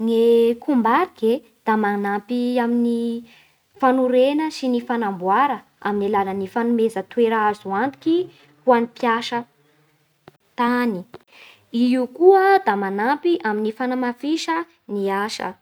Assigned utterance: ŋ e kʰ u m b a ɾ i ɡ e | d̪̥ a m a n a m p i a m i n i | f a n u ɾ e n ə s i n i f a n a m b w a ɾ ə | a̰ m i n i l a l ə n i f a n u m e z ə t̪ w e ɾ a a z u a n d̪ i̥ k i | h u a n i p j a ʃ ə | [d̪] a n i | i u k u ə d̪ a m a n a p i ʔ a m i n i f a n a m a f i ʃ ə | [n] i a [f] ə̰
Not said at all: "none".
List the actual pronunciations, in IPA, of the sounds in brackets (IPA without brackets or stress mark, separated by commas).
t̪, n, ʃ